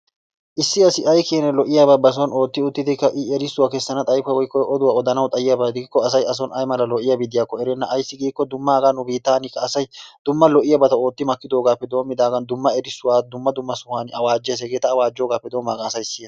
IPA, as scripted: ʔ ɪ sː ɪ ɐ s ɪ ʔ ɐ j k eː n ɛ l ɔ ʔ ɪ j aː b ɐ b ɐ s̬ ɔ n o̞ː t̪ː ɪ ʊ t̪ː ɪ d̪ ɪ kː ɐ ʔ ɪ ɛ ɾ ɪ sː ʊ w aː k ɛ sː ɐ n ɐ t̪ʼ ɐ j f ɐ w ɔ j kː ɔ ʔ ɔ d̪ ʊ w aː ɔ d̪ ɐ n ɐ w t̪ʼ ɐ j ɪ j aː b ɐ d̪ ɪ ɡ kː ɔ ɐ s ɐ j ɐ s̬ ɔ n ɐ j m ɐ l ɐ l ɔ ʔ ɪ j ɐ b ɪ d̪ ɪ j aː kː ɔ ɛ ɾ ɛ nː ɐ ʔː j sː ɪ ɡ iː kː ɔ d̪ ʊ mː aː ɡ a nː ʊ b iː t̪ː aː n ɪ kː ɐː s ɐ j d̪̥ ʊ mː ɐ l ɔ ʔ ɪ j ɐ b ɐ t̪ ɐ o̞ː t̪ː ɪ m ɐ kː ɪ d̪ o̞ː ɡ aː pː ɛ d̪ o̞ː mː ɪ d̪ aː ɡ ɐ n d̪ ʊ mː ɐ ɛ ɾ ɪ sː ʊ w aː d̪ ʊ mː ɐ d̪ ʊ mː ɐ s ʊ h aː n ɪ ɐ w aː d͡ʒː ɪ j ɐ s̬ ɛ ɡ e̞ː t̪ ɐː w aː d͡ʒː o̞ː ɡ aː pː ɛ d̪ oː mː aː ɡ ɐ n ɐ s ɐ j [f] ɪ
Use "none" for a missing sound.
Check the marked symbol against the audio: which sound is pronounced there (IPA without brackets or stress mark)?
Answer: s